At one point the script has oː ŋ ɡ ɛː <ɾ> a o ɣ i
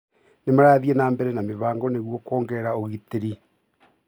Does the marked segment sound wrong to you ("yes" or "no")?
no